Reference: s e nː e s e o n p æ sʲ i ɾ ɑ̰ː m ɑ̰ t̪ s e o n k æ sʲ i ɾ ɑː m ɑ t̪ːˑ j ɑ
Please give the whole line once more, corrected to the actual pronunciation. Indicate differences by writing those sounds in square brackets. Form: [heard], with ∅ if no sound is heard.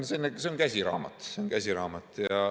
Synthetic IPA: s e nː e s e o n [k] æ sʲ i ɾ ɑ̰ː m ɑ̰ t̪ s e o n k æ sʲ i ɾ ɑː m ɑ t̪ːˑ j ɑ